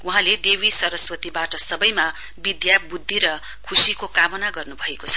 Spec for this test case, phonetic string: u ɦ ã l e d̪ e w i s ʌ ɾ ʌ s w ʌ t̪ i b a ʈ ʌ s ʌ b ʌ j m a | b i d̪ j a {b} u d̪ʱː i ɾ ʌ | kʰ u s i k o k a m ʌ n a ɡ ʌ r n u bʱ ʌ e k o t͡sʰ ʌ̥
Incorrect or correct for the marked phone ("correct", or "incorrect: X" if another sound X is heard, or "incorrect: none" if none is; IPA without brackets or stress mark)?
correct